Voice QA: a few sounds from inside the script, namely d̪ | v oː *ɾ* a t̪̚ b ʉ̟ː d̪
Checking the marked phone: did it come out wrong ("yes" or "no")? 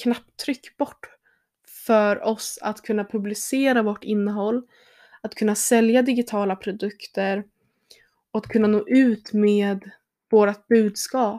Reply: no